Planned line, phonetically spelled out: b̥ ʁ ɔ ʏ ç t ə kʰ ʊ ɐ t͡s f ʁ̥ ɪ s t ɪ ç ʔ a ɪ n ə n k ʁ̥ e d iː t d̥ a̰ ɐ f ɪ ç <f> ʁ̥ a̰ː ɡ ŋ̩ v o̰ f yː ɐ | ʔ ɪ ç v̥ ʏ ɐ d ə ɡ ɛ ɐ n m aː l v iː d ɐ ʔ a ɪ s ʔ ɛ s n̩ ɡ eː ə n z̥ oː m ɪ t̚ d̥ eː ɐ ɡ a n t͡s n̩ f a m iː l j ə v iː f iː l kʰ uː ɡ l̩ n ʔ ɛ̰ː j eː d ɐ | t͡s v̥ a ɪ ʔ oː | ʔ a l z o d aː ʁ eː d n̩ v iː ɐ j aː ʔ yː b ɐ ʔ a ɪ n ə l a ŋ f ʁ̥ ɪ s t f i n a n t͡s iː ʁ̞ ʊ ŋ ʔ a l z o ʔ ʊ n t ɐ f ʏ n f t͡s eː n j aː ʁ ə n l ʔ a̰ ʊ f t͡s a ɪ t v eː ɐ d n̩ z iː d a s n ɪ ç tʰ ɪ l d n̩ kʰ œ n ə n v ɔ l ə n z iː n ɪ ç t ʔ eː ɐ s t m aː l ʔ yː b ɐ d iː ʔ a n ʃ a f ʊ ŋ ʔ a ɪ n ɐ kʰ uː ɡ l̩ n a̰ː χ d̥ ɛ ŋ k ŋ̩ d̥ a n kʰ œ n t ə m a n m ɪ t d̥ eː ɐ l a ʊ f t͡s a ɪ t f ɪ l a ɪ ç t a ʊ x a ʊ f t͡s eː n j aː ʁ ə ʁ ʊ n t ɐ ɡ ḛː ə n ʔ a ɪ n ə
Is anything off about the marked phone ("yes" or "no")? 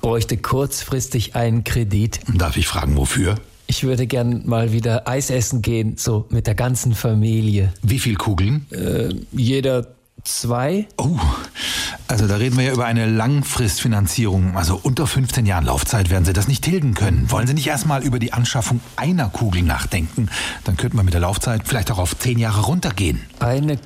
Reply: no